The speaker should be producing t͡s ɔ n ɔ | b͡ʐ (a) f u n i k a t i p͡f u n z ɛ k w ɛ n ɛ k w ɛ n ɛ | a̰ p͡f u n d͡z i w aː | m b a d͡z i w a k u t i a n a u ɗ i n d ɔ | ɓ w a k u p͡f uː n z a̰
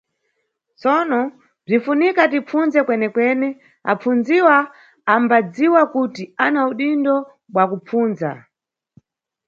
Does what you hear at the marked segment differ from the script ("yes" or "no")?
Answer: yes